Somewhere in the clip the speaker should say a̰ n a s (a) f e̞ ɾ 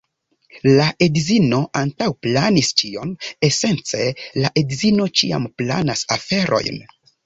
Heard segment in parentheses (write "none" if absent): a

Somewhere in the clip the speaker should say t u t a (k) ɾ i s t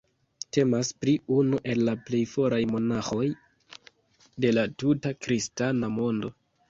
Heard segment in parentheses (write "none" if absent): k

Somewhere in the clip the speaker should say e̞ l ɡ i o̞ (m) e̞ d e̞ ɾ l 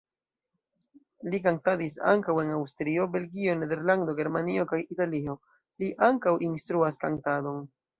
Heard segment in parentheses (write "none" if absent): n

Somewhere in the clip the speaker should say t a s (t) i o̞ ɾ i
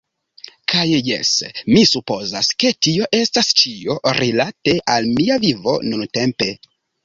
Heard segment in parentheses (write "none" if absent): t͡ʃ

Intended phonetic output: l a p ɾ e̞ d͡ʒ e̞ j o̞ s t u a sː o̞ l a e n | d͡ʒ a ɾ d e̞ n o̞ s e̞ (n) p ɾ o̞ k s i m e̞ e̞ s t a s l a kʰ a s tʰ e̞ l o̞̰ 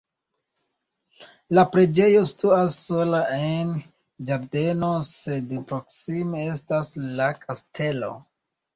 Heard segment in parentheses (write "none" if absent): d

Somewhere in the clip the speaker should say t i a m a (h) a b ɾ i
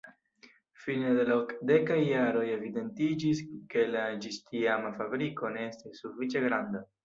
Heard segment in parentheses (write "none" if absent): f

